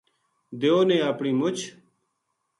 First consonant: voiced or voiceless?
voiced